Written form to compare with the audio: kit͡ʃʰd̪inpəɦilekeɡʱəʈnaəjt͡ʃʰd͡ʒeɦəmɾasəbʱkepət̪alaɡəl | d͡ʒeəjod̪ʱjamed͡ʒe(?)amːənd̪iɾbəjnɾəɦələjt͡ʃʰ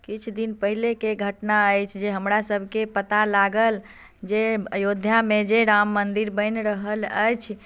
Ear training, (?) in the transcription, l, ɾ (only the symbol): ɾ